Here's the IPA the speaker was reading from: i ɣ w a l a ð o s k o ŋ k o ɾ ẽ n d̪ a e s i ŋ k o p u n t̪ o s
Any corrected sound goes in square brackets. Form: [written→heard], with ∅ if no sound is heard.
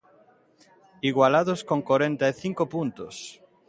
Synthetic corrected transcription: i ɣ w a l a ð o s k o ŋ k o ɾ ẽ n [d̪→t̪] a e [s→θ] i ŋ k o p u n t̪ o s